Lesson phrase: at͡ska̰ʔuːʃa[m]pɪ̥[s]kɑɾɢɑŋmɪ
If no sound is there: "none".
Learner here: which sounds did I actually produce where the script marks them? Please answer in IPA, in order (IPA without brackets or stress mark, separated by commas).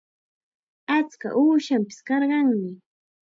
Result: m, s